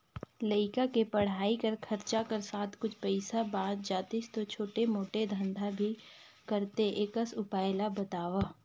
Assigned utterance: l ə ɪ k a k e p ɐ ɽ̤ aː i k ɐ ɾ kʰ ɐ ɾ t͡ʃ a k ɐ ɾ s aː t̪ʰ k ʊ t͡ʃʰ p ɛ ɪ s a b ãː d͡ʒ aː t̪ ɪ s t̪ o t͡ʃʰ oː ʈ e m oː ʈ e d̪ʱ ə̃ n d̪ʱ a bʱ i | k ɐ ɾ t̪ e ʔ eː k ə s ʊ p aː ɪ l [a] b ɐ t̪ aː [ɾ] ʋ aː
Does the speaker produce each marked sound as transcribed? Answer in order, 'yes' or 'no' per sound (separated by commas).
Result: yes, no